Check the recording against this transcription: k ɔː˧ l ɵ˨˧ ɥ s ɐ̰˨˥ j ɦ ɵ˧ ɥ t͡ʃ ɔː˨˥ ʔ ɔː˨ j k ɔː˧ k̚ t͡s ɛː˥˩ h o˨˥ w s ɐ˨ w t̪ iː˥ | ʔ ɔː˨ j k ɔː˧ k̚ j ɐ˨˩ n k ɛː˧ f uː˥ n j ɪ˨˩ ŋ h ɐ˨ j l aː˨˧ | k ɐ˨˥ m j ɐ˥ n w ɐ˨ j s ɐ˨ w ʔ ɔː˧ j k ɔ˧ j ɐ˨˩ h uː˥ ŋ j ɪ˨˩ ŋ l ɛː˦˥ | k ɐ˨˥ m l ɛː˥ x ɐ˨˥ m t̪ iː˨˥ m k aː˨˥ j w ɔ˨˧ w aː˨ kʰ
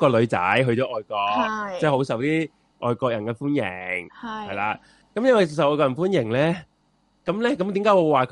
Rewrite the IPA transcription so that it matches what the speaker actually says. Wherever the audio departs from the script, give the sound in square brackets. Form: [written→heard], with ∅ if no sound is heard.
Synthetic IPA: k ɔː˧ l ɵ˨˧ ɥ [s→t͡s] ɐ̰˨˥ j ɦ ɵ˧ ɥ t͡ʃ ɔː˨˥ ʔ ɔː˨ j k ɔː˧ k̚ t͡s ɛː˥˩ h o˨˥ w s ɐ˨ w t̪ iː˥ | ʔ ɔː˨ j k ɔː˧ k̚ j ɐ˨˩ n k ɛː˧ f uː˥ n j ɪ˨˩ ŋ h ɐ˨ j l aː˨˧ | k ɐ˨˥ m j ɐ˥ n w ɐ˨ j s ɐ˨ w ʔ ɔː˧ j k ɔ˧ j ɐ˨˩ [h→f] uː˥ [ŋ→n] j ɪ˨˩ ŋ l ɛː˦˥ | k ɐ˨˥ m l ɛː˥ [x→k] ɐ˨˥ m t̪ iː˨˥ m k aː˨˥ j w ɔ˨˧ w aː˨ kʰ